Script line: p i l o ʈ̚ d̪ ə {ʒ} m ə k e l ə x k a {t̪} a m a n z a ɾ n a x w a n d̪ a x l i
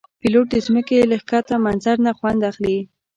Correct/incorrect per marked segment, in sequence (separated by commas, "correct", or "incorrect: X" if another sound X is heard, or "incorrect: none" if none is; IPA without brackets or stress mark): incorrect: z, correct